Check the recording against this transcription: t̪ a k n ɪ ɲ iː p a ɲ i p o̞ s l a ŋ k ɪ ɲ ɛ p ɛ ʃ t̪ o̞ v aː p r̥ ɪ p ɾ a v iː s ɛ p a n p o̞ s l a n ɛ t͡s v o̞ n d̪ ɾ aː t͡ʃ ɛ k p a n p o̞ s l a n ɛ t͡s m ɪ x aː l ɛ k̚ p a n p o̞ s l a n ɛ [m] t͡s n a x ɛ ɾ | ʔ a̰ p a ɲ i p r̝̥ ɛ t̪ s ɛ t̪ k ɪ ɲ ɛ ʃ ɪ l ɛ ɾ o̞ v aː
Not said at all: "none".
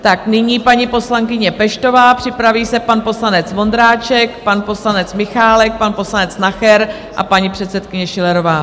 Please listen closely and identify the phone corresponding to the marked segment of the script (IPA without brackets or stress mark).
none